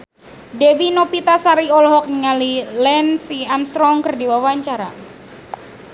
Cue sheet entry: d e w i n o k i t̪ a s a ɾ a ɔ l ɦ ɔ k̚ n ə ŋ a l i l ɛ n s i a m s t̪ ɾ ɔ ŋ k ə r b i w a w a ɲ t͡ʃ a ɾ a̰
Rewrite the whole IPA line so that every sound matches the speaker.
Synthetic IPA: d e w i n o p i t̪ a s a ɾ i ɔ l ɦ ɔ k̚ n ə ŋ a l i l ɛ n s i a m s t̪ ɾ ɔ ŋ k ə r d i w a w a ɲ t͡ʃ a ɾ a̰